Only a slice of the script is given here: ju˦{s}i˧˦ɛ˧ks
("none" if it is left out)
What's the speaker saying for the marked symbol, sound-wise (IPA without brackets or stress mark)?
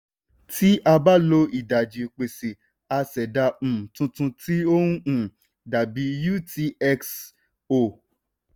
t